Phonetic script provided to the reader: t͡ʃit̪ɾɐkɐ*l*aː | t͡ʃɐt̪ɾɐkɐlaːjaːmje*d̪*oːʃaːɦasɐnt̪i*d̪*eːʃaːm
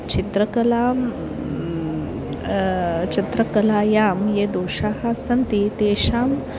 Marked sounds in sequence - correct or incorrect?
correct, correct, incorrect: t̪

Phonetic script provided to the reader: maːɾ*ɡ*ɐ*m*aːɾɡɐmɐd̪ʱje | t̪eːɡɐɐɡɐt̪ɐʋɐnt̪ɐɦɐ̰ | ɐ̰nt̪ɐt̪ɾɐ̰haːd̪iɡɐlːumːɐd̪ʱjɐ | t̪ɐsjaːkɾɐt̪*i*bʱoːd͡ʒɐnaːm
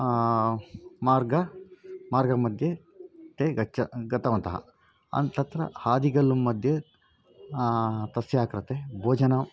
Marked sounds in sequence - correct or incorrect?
correct, correct, incorrect: e

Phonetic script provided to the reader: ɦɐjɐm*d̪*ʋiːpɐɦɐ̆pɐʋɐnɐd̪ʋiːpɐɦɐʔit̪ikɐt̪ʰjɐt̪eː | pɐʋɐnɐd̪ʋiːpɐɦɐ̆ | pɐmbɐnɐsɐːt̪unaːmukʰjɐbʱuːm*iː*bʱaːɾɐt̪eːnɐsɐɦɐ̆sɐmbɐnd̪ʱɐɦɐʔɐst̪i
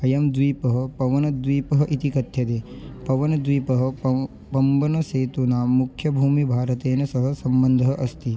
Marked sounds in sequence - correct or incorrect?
correct, incorrect: i

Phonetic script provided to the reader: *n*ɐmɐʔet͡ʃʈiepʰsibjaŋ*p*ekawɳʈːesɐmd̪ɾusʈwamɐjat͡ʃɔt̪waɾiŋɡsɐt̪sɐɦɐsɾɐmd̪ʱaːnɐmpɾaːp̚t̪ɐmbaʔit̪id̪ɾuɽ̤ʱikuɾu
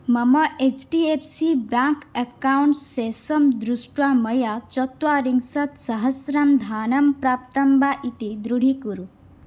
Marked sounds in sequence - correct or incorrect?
incorrect: m, incorrect: k

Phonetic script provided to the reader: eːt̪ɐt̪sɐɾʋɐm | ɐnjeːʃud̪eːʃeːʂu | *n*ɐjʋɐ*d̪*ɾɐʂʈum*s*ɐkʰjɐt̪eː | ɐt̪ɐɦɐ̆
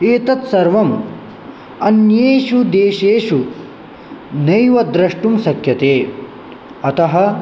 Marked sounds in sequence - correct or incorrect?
correct, correct, correct

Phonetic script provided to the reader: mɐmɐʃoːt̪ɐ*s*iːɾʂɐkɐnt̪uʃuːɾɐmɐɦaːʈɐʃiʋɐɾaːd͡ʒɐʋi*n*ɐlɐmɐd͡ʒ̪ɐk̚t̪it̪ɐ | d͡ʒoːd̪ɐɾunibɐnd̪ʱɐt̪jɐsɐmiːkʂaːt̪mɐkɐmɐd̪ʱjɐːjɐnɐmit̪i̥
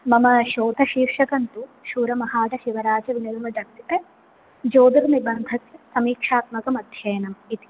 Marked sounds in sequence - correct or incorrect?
incorrect: ʃ, correct

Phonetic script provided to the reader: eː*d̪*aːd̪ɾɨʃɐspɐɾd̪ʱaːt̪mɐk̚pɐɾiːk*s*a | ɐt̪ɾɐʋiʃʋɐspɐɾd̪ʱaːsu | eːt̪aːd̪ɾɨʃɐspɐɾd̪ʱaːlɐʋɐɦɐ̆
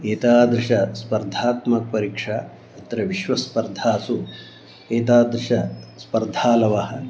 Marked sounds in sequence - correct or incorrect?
incorrect: t̪, incorrect: ʂ

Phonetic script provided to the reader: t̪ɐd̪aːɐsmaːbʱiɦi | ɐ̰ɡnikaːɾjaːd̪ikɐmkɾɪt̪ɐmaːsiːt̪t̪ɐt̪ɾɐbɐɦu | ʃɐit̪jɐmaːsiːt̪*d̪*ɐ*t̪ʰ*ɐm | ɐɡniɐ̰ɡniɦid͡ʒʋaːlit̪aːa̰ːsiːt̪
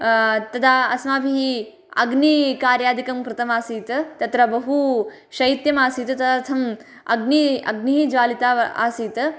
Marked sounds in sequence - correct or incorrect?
incorrect: t̪, correct

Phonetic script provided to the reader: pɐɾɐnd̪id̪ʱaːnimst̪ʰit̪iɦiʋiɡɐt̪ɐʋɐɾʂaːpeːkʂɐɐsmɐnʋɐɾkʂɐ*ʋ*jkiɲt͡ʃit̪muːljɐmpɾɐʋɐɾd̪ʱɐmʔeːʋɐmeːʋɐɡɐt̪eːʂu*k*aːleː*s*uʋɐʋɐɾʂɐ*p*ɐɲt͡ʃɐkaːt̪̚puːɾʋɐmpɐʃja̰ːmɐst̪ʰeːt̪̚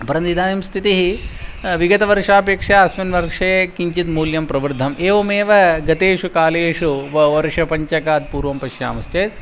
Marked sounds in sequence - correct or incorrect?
incorrect: none, correct, incorrect: ʂ, correct

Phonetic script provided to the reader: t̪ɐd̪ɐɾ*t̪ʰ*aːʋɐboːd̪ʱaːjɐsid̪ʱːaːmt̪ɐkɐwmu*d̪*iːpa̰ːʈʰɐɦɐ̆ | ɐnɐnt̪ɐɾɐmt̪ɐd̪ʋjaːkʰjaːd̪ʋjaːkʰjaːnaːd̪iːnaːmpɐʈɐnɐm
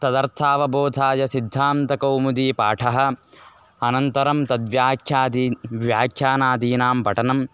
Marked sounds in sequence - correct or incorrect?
correct, correct

